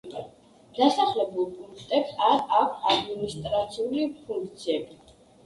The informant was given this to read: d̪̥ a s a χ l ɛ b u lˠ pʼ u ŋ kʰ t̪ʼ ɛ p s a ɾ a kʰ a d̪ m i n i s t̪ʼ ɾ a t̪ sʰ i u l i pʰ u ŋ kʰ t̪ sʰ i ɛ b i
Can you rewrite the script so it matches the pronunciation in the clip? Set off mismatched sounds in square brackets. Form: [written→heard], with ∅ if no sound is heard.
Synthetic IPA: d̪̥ a s a χ l ɛ b u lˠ pʼ u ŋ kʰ t̪ʼ ɛ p s a ɾ a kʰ a d̪ m i n i s t̪ʼ ɾ a t̪ sʰ i u l i pʰ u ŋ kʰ t̪ sʰ i ɛ b i